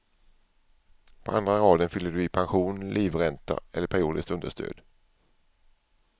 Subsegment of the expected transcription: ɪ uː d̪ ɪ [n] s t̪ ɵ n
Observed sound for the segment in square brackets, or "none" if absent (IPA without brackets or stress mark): none